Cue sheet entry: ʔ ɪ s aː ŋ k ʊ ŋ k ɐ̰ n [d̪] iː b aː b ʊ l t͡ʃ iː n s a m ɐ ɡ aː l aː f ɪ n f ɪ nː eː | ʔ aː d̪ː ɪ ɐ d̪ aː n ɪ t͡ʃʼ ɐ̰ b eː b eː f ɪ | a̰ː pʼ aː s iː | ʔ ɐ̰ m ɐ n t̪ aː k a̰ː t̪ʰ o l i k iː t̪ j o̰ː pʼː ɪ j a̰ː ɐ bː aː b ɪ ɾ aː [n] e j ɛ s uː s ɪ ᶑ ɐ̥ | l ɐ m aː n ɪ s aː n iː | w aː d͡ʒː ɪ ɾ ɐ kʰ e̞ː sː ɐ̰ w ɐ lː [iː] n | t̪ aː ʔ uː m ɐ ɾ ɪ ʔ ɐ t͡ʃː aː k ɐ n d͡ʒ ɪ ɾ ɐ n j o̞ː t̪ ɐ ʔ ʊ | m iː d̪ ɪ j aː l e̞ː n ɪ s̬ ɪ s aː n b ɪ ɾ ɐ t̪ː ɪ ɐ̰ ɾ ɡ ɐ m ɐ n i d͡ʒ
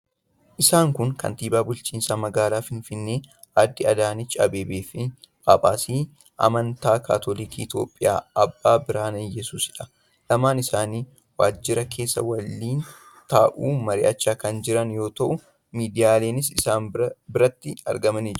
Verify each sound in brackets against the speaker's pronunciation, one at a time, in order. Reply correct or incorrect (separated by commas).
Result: incorrect, correct, correct